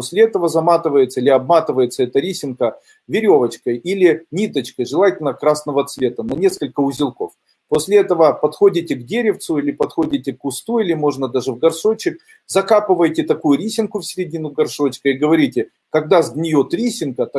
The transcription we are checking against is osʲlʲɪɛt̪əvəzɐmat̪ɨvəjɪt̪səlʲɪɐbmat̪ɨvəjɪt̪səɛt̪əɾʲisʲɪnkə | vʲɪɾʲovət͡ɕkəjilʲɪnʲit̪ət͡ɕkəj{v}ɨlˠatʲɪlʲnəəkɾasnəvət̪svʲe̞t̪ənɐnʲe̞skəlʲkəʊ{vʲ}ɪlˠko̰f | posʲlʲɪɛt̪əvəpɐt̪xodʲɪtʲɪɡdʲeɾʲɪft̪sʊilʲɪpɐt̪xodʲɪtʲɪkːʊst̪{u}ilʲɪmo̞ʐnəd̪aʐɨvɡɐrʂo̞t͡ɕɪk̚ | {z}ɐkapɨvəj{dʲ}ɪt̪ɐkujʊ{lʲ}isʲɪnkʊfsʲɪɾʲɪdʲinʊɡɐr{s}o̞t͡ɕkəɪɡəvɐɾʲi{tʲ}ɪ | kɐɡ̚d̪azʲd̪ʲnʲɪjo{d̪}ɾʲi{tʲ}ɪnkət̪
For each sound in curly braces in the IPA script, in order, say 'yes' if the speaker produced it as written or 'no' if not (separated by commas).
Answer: no, no, yes, yes, no, no, no, yes, no, no